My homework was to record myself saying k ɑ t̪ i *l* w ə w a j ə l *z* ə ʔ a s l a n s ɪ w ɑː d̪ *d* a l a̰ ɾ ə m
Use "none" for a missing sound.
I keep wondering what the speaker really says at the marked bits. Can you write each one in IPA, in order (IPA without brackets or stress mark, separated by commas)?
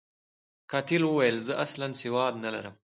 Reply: l, z, n